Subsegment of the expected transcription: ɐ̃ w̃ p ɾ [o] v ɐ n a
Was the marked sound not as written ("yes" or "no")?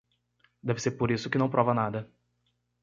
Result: yes